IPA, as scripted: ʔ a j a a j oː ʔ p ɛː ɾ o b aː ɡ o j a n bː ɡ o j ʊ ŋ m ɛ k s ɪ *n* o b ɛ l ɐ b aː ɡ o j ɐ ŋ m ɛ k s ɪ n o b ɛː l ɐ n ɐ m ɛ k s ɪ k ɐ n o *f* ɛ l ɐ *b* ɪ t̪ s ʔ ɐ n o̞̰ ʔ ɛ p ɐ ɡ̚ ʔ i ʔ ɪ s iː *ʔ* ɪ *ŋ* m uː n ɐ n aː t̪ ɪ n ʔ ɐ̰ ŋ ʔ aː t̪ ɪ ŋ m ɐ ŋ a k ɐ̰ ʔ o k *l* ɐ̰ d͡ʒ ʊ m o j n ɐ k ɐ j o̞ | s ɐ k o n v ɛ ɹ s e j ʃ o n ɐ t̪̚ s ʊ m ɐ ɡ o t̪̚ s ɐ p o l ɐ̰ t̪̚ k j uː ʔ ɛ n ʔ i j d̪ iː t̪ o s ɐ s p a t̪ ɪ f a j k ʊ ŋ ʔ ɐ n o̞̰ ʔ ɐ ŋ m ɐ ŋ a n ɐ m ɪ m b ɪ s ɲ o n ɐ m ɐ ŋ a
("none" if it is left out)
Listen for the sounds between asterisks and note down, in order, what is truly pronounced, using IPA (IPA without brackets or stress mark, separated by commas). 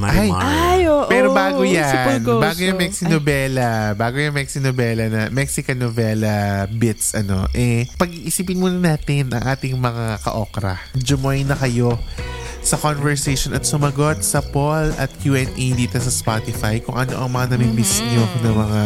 n, v, b, p, n, ɾ